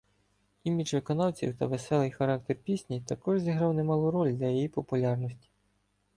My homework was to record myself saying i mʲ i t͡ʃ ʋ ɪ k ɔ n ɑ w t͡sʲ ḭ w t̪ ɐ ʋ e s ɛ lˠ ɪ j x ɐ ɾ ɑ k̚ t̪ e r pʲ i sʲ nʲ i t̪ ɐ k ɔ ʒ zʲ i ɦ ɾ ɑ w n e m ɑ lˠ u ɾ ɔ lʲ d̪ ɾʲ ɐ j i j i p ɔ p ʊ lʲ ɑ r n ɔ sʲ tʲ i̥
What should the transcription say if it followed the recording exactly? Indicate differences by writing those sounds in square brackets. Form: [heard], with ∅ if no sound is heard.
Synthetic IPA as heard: i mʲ i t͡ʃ ʋ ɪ k ɔ n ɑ w t͡sʲ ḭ w t̪ ɐ ʋ e s ɛ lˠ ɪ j x ɐ ɾ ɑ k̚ t̪ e r pʲ i sʲ nʲ i t̪ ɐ k ɔ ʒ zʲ i ɦ ɾ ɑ w n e m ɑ lˠ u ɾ ɔ lʲ d̪ [lʲ] ɐ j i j i p ɔ p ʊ lʲ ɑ r n ɔ sʲ tʲ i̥